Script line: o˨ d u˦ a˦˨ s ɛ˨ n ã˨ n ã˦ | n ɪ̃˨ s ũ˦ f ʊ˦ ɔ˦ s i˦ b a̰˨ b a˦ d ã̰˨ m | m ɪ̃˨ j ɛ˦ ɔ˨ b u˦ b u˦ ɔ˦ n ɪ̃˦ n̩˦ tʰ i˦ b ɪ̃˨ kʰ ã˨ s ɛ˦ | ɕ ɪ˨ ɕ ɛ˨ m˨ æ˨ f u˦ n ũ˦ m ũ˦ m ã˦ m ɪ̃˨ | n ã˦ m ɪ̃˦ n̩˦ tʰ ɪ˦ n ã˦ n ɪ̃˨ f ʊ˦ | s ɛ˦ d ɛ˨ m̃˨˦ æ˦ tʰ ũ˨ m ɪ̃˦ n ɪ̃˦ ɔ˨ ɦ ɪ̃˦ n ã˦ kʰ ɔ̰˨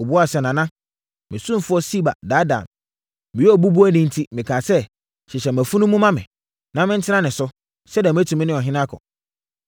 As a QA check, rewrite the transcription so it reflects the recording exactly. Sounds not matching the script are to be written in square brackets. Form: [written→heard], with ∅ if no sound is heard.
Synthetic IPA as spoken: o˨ [d→b] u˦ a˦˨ s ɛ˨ n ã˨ n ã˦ | [n→m] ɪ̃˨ s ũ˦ f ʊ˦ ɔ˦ s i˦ b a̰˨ [b→d] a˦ d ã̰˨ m | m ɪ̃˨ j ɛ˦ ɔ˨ b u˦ b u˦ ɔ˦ n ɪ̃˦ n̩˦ tʰ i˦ [b→m] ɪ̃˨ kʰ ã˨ s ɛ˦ | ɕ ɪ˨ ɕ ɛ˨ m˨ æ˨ f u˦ n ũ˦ m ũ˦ m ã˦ m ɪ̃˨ | n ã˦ m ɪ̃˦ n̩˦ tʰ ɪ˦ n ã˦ n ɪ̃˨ [f→s] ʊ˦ | s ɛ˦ d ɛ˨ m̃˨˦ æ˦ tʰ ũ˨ m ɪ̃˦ n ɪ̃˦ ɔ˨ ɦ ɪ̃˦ n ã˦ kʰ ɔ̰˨